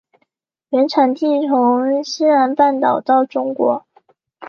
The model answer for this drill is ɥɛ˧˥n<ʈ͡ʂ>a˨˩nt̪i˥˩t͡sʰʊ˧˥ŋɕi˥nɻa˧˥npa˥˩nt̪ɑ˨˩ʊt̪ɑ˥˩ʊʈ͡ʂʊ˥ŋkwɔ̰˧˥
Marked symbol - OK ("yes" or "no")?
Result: no